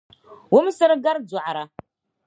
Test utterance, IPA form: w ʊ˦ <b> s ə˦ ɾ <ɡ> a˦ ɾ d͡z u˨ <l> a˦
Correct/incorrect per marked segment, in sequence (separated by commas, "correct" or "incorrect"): incorrect, correct, incorrect